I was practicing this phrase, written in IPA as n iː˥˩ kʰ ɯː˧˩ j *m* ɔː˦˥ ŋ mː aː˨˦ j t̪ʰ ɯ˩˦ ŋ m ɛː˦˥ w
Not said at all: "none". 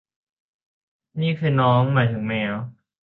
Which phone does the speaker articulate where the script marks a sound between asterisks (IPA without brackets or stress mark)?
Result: n